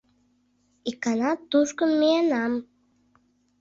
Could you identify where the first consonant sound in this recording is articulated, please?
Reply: velar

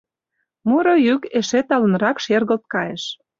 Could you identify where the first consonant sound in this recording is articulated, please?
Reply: labial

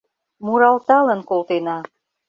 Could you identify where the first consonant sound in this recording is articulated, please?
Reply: labial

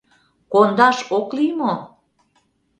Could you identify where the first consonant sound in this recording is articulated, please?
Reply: velar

